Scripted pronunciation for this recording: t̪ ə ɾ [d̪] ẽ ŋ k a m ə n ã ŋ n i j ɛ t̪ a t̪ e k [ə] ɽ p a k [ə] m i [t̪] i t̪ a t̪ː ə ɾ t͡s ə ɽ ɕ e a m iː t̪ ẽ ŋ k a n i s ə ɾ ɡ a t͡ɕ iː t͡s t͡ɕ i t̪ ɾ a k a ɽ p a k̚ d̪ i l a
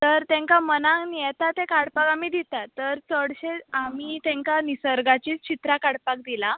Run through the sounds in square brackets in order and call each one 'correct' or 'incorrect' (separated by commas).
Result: incorrect, incorrect, incorrect, incorrect